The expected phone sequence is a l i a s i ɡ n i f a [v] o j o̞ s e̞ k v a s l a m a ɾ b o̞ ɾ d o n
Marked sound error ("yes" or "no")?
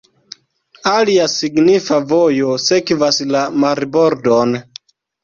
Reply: no